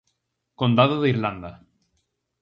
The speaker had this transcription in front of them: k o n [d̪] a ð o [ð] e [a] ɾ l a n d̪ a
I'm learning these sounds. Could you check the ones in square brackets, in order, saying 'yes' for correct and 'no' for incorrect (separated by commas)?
yes, yes, no